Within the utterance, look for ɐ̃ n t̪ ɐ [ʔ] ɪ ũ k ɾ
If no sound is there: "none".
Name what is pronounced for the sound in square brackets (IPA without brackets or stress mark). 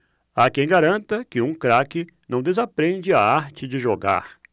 k